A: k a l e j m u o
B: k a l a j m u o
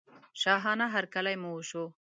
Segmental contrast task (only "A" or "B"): B